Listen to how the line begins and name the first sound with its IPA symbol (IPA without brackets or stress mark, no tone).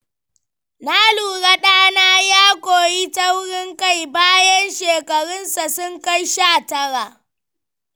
n